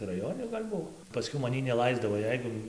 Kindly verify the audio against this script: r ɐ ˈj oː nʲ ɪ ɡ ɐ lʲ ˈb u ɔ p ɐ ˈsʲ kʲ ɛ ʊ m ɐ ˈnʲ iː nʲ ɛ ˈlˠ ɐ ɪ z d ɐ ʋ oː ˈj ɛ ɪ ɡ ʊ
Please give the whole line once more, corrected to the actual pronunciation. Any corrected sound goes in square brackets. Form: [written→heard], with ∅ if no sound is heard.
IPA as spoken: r ɐ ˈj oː nʲ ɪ ɡ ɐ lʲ ˈb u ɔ p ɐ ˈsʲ kʲ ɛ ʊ m ɐ ˈnʲ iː nʲ ɛ ˈlˠ ɐ ɪ z d ɐ ʋ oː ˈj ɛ ɪ ɡ ʊ